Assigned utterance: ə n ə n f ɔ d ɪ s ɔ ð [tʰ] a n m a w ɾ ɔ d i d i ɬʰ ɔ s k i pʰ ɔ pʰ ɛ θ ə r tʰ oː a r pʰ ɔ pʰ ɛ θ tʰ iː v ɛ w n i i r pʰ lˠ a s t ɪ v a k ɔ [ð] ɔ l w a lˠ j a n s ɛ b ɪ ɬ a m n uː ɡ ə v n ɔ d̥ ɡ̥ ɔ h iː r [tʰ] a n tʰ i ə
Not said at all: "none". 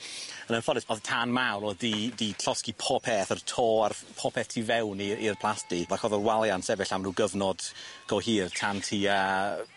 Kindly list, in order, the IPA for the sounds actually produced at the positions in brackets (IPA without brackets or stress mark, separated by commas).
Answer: tʰ, ð, tʰ